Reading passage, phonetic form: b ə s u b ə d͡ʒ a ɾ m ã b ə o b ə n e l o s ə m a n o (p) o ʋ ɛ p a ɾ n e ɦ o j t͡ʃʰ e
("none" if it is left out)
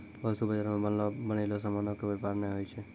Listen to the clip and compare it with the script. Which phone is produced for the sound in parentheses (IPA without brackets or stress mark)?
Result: k